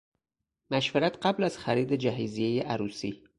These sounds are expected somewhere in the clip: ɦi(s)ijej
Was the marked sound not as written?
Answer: yes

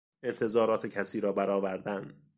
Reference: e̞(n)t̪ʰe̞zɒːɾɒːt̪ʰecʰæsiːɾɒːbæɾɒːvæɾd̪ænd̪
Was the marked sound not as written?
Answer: no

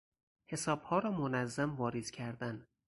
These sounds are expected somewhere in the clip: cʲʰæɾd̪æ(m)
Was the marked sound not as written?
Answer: yes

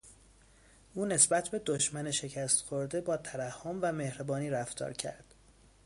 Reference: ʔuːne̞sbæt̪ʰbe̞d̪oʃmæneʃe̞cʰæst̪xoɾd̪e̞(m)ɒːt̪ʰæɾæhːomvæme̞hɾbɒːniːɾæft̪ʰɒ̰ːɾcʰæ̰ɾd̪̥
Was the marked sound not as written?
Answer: yes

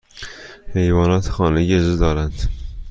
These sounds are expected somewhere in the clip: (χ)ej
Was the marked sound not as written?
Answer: yes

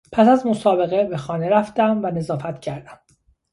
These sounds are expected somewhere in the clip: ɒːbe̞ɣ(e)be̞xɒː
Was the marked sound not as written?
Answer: no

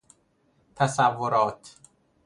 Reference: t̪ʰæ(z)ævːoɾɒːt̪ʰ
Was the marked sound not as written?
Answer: yes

